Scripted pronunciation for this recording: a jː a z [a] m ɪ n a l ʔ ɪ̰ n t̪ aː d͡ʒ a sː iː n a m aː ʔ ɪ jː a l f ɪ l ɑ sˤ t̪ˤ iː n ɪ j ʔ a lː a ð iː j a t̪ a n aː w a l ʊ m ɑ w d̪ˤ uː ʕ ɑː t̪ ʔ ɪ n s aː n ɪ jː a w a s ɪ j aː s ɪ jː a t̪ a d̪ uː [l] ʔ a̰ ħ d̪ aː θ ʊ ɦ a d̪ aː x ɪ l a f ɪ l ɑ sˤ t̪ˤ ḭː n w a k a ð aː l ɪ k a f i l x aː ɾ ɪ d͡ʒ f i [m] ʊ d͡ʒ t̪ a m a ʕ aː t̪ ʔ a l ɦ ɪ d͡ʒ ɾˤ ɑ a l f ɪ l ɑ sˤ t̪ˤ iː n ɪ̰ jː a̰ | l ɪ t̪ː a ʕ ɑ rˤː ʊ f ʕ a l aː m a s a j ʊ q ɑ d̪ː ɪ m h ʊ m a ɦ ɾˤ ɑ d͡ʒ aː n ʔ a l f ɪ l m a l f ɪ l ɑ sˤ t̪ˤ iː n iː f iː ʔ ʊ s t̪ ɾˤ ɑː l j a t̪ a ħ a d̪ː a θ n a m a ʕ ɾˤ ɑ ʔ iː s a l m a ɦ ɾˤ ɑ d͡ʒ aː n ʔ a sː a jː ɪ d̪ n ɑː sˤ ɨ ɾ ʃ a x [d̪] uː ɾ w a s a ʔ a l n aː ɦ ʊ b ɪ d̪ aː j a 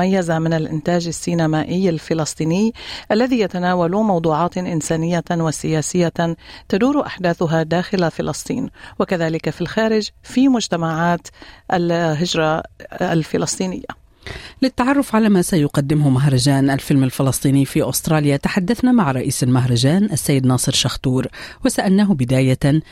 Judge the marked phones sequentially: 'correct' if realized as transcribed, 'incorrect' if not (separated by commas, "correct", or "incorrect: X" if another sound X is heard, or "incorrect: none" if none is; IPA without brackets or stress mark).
correct, incorrect: ɾ, correct, incorrect: t̪